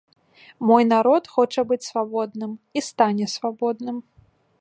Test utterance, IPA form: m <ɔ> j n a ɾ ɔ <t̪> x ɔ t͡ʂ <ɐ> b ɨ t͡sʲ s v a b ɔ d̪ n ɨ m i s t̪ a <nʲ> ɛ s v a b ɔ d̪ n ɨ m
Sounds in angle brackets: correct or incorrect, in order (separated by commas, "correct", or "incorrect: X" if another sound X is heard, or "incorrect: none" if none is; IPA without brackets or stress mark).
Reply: correct, correct, correct, correct